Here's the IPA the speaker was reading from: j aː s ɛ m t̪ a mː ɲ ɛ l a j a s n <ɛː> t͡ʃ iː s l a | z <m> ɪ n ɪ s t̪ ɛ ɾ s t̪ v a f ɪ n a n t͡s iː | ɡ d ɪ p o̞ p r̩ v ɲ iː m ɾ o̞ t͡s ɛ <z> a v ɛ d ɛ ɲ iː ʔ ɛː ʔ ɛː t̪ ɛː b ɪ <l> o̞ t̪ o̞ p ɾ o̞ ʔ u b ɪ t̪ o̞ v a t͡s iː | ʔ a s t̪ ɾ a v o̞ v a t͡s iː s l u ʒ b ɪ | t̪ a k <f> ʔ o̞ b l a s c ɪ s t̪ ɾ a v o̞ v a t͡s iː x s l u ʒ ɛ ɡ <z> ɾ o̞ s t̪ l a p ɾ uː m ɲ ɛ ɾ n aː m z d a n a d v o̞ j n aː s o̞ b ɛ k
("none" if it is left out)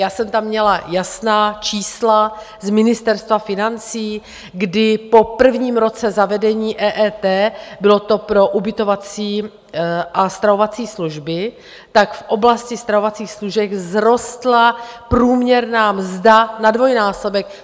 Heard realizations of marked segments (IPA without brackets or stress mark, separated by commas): aː, m, z, l, f, z